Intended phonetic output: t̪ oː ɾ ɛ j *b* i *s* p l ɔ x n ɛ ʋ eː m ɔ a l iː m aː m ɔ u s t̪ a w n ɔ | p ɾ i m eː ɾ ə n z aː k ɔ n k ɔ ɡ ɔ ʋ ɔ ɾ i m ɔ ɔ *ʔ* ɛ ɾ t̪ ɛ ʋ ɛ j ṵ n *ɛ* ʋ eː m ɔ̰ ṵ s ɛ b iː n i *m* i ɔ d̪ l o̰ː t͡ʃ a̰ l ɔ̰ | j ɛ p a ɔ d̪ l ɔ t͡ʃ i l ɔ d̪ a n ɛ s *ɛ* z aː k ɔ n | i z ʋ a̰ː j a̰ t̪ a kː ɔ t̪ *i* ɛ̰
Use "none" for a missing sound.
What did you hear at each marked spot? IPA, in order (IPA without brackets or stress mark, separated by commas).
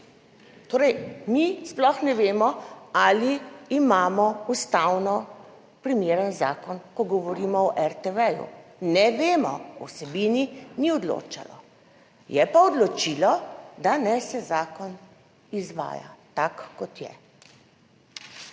m, s, ʔ, ɛ, n, ɛ, j